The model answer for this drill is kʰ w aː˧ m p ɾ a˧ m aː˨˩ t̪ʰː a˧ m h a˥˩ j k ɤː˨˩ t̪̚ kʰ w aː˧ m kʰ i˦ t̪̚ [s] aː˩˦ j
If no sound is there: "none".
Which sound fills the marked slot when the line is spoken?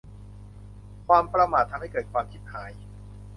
h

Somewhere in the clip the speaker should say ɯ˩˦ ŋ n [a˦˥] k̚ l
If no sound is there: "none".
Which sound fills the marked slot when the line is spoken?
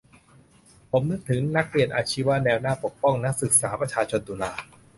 a˦˥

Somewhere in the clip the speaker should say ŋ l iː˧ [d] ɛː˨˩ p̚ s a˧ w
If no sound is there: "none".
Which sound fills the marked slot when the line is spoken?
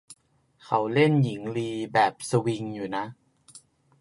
b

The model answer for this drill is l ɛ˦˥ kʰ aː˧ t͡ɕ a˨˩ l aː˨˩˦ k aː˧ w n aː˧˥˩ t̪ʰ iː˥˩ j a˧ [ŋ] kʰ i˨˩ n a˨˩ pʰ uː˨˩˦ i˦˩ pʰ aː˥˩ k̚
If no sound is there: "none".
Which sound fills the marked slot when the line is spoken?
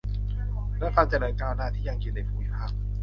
ŋ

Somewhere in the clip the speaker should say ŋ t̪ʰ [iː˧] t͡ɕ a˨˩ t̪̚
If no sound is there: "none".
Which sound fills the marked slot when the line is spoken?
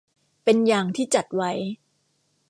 iː˥˩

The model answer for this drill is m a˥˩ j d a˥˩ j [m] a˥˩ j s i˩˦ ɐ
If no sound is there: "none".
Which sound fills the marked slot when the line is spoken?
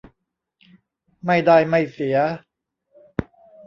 m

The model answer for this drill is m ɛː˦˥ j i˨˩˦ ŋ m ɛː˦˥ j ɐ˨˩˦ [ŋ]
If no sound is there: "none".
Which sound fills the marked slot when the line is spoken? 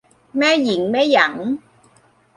ŋ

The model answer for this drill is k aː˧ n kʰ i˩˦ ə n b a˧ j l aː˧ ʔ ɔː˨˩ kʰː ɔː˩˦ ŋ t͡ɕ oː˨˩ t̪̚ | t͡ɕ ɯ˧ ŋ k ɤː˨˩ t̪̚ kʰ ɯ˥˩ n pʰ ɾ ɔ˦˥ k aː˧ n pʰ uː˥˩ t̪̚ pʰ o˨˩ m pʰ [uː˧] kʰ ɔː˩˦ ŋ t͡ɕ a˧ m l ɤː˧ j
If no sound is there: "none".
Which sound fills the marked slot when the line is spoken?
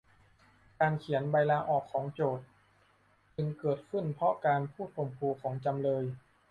uː˧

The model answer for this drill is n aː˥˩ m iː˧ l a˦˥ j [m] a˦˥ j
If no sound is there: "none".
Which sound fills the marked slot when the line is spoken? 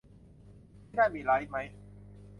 m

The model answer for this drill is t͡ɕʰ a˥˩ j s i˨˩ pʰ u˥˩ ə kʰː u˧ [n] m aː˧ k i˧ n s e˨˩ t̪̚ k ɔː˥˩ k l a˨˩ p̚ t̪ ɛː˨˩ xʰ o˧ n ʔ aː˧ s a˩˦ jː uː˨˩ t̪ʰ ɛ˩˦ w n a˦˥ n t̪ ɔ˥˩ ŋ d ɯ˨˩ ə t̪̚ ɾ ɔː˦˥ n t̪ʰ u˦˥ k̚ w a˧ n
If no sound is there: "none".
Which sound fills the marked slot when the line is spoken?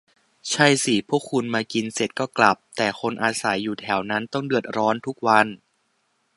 n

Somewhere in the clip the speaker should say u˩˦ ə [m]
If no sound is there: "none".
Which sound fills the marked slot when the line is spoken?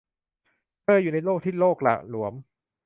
m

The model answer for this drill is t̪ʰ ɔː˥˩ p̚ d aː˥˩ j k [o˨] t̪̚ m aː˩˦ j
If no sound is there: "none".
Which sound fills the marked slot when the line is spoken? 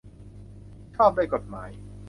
o˨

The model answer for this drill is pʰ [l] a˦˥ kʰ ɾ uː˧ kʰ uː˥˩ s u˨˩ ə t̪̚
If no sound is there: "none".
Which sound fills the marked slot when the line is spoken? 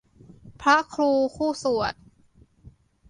ɾ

